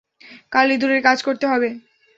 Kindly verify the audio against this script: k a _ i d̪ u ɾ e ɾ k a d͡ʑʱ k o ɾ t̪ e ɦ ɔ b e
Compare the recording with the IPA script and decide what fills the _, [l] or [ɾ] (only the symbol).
l